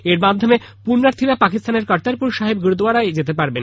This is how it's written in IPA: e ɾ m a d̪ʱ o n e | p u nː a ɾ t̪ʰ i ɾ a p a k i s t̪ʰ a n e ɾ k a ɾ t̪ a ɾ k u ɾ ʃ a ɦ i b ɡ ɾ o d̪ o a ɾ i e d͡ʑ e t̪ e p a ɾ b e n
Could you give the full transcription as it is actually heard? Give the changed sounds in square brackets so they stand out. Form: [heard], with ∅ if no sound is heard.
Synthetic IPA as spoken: e ɾ m a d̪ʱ o [m] e | p u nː a ɾ t̪ʰ i ɾ a p a k i s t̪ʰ a n e ɾ k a ɾ t̪ a ɾ [p] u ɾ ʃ a ɦ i b ɡ ɾ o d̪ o a ɾ [a] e d͡ʑ e t̪ e p a ɾ b e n